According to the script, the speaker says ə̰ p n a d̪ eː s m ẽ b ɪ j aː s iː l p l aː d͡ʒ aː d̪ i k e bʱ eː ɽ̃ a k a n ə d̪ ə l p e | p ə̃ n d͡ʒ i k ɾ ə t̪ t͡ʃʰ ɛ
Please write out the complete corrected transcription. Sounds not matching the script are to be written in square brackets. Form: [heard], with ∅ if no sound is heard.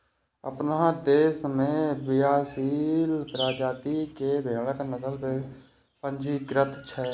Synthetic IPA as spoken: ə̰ p n a d̪ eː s m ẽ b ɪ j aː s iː l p [ɾ] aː d͡ʒ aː [t̪] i k e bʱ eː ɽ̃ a k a n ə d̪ ə l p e | p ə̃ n d͡ʒ i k ɾ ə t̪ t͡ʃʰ ɛ

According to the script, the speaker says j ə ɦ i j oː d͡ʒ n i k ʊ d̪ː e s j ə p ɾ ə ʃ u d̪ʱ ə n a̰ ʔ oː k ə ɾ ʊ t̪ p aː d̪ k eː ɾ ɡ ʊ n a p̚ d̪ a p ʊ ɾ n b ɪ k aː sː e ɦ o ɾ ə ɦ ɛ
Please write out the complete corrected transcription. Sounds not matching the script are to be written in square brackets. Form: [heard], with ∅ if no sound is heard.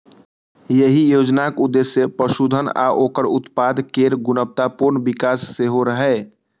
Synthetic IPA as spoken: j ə ɦ i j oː d͡ʒ n [a] k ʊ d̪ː e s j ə p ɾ ə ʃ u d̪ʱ ə n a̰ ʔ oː k ə ɾ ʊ t̪ p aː d̪ k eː ɾ ɡ ʊ n [ə] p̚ [t̪] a p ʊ ɾ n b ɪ k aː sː e ɦ o ɾ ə ɦ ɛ

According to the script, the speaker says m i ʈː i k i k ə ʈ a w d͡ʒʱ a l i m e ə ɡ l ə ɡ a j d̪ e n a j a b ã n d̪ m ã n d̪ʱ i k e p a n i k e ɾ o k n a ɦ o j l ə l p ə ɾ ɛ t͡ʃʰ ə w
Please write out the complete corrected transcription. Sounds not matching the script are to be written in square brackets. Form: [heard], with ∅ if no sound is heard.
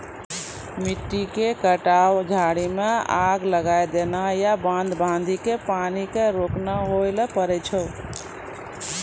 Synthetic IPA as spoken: m i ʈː i k [e] k ə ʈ a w d͡ʒʱ a [ɽ] i m e [a] ɡ l ə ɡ a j d̪ e n a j a b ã n d̪ [b] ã n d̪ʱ i k e p a n i k e ɾ o k n a ɦ o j l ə [∅] p ə ɾ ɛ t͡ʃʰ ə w

